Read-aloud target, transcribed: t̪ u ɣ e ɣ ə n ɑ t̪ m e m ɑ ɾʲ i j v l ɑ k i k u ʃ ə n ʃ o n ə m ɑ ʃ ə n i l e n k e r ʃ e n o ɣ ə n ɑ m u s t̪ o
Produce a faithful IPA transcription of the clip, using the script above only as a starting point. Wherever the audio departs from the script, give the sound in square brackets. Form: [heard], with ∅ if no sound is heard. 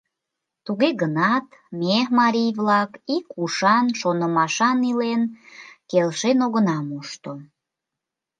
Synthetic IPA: t̪ u ɣ e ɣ ə n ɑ t̪ m e m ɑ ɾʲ i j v l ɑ k i k u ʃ [ɑ] n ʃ o n ə m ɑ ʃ [ɑ] n i l e n k e [l] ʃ e n o ɣ ə n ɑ m u [ʃ] t̪ o